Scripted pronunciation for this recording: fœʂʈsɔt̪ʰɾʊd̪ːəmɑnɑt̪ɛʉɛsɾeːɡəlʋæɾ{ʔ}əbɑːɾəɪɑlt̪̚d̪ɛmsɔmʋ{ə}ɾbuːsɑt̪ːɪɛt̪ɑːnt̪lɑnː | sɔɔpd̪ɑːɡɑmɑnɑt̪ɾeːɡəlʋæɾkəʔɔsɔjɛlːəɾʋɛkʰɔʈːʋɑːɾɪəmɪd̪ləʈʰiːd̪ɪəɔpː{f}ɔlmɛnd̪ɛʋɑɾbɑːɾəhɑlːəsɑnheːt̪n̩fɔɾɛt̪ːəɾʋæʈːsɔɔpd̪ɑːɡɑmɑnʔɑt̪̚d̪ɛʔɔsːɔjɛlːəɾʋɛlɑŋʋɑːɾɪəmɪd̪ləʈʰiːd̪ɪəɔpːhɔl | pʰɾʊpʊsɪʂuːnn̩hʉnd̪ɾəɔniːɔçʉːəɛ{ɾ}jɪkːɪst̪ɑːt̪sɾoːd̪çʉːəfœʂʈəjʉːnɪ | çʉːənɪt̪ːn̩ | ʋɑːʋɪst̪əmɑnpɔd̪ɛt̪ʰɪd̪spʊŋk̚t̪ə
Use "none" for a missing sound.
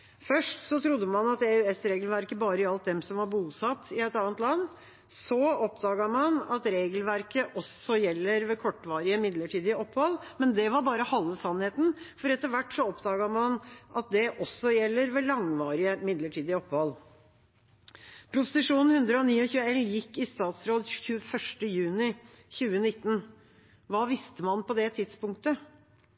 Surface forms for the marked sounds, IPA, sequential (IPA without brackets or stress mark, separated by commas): k, ɑ, h, l